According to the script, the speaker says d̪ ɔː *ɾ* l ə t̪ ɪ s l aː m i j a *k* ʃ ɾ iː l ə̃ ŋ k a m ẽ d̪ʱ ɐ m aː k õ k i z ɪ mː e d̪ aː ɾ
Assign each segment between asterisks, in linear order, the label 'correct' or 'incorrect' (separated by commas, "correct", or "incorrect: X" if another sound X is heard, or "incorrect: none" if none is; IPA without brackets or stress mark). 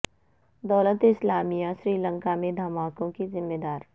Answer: incorrect: none, incorrect: none